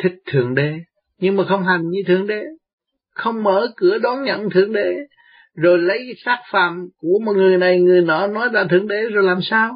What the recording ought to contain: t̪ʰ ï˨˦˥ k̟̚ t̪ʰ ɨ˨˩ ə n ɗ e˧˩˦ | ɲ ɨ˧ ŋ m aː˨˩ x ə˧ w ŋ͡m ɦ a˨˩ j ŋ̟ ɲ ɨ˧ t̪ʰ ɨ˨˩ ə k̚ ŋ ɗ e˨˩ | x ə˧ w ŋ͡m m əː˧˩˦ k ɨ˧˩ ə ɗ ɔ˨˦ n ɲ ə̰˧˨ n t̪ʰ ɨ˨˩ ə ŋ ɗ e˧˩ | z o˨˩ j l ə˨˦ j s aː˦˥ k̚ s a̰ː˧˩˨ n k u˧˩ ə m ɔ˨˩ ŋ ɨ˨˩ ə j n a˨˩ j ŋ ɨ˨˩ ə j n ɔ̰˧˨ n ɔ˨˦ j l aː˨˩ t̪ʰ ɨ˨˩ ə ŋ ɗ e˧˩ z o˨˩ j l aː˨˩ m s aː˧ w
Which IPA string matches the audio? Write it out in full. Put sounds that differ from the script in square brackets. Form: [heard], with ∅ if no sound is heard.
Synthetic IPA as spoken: t̪ʰ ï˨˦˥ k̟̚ t̪ʰ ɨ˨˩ ə [ŋ] ɗ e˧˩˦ | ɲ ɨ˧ ŋ m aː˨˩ x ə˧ w ŋ͡m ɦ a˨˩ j ŋ̟ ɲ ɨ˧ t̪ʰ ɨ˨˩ ə [∅] ŋ ɗ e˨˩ | x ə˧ w ŋ͡m m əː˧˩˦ k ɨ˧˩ ə ɗ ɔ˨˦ n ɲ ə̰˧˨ n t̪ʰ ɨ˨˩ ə ŋ ɗ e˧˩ | z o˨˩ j l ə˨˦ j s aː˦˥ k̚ [f] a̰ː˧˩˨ [m] k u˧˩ ə m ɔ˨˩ ŋ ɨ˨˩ ə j n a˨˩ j ŋ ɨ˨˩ ə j n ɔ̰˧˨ n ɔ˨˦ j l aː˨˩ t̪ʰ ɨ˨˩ ə ŋ ɗ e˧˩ z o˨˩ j l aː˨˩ m s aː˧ w